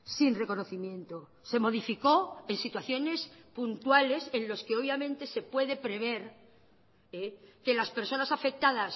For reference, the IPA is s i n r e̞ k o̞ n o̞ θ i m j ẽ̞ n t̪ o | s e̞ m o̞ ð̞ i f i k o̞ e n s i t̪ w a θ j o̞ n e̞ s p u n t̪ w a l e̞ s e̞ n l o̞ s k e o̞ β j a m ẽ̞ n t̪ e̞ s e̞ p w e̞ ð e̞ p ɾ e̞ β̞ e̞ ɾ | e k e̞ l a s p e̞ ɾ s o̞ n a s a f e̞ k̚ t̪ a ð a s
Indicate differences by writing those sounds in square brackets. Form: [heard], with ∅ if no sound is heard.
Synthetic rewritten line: s i n r e̞ k o̞ n o̞ θ i m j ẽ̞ n t̪ o | s e̞ m o̞ ð̞ i f i k o̞ e n s i t̪ w a θ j o̞ n e̞ s p u n t̪ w a l e̞ s e̞ n l o̞ s k e o̞ β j a m ẽ̞ n t̪ e̞ s e̞ p w e̞ ð e̞ p ɾ e̞ β̞ e̞ ɾ | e k e̞ l a s p e̞ ɾ s o̞ n a s a f e̞ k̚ t̪ a ð a s

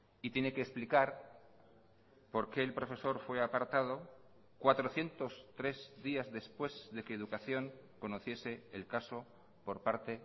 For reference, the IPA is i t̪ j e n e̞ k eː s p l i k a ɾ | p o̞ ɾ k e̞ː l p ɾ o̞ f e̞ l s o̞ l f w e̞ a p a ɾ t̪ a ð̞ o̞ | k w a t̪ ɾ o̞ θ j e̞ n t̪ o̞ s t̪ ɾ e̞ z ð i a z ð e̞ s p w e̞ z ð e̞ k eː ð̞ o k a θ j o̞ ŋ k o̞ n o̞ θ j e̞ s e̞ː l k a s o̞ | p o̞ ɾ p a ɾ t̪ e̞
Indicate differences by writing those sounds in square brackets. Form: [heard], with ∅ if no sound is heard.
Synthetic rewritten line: i t̪ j e n e̞ k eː s p l i k a ɾ | p o̞ ɾ k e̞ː l p ɾ o̞ f e̞ [∅] s o̞ [ɾ] f w e̞ a p a ɾ t̪ a ð̞ o̞ | k w a t̪ ɾ o̞ θ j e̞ n t̪ o̞ s t̪ ɾ e̞ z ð i a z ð e̞ s p w e̞ z ð e̞ k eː ð̞ [u] k a θ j o̞ ŋ k o̞ n o̞ θ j e̞ s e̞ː l k a s o̞ | p o̞ ɾ p a ɾ t̪ e̞

